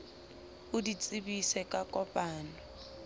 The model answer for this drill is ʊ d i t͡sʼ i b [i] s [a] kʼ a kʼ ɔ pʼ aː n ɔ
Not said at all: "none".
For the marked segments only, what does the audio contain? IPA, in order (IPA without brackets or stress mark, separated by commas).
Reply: i, ɛ